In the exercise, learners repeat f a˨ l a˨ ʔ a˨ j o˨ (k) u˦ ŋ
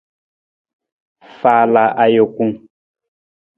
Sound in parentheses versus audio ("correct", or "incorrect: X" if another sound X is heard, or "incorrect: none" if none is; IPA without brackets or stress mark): correct